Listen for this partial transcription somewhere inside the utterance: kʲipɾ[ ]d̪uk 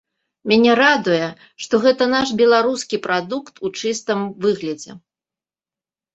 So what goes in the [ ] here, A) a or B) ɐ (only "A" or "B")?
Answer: A